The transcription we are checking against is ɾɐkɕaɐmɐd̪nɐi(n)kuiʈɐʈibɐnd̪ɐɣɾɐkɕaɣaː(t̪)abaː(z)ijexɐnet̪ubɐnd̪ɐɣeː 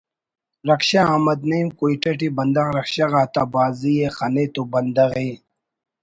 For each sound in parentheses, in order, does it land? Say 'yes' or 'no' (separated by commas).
no, yes, yes